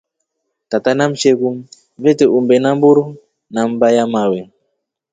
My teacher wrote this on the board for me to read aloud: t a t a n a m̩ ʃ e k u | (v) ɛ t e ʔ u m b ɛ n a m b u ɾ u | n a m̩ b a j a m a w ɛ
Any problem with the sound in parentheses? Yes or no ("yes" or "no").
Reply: no